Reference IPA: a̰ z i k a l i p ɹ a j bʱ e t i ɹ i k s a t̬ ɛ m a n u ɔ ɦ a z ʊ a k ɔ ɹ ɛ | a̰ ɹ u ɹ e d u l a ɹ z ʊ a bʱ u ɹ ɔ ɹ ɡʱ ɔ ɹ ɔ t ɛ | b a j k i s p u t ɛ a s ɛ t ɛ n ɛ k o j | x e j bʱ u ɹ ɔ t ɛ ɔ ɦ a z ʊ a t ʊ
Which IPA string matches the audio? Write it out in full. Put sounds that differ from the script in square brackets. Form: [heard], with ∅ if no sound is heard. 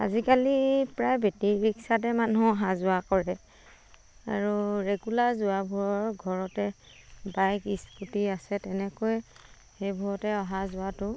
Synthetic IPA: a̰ z i k a l i p ɹ a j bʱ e t i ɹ i k s a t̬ ɛ m a n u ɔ ɦ a z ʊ a k ɔ ɹ ɛ | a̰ ɹ u ɹ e [ɡ] u l a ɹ z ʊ a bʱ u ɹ ɔ ɹ ɡʱ ɔ ɹ ɔ t ɛ | b a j k i s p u t [i] a s ɛ t ɛ n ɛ k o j | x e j bʱ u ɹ ɔ t ɛ ɔ ɦ a z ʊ a t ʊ